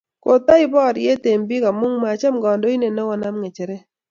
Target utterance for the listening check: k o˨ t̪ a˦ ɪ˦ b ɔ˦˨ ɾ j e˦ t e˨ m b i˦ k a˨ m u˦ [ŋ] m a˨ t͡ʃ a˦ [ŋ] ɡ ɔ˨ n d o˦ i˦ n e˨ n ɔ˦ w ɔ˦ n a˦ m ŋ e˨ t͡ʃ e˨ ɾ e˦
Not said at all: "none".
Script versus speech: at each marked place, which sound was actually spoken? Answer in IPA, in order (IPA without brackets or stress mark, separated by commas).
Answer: ŋ, m